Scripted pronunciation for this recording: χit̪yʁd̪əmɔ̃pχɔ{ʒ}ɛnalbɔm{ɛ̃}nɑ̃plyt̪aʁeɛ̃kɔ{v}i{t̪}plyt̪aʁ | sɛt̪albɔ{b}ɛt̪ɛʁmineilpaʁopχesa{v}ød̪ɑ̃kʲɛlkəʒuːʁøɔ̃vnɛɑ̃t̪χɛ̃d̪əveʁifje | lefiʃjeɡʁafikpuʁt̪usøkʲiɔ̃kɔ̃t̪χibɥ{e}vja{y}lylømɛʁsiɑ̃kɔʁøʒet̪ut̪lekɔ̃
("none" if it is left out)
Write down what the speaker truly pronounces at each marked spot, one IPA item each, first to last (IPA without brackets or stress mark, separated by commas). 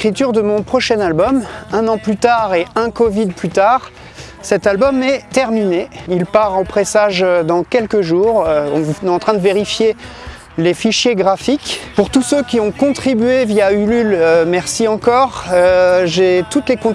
ʃ, ɛ̃, v, d̪, m, ʒ, e, y